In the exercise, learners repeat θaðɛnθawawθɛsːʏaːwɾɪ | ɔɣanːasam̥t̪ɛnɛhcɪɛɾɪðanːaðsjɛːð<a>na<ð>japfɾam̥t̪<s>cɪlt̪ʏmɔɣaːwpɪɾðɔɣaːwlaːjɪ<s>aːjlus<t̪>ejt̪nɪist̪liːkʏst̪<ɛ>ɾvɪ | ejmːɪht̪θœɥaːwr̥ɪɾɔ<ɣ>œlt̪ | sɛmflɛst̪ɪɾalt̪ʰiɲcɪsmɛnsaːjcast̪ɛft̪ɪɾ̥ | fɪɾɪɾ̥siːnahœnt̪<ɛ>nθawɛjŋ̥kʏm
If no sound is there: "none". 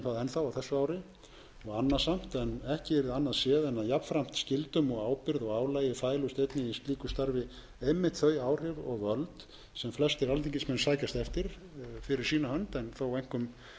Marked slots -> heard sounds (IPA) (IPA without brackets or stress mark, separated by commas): ɛ, ð, s, f, t̪, a, ɣ, ɛ